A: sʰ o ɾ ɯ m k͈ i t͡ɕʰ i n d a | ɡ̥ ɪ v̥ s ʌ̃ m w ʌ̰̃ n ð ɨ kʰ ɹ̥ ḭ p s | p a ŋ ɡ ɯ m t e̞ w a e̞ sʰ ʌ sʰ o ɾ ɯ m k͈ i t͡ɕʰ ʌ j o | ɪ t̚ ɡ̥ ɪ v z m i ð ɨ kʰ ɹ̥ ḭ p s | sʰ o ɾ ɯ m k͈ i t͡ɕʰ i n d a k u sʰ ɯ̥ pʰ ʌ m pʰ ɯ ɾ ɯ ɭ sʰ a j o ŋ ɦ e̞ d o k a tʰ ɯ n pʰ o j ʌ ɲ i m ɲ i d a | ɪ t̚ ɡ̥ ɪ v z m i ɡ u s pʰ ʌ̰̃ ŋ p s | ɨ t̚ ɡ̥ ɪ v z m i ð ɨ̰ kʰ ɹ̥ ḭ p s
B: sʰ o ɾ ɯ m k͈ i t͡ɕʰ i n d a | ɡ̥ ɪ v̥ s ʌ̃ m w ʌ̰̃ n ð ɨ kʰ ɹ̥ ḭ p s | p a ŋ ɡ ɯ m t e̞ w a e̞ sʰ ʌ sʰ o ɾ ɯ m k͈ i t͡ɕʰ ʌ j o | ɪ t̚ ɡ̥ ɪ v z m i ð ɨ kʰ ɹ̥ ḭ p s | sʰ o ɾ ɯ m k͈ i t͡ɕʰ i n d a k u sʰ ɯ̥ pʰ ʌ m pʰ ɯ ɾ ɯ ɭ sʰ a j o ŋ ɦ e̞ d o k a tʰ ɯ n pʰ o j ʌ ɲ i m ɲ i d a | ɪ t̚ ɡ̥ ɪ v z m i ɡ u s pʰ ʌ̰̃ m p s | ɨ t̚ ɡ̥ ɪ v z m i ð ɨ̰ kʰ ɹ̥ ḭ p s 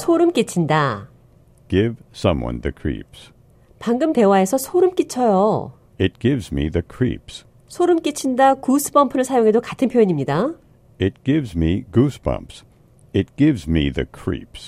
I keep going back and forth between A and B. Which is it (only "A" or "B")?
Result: B